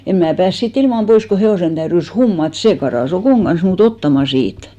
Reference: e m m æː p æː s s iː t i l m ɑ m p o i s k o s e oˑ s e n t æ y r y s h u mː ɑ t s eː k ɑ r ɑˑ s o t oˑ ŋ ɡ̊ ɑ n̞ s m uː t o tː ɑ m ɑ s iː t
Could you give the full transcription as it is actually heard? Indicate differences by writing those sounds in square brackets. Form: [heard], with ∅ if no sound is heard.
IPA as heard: e m m æː p æː s s iː t i l m ɑ m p o i s k o [h] e oˑ s e n t æ y r y s h u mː ɑ t s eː k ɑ r ɑˑ s o [k] oˑ ŋ ɡ̊ ɑ n̞ s m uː t o tː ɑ m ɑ s iː t

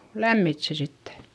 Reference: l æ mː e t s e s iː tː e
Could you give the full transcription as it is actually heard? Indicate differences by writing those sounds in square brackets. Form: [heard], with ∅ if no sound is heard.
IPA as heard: l æ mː [i] t s e s [i] tː e

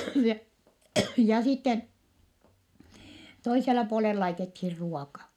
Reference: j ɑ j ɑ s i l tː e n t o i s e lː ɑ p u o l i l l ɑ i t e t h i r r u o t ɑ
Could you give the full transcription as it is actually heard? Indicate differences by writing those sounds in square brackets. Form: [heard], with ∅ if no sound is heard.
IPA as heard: j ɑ j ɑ s i [∅] tː e n t o i s e lː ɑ p u o l [e] l l ɑ i t e t h i r r u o [k] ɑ

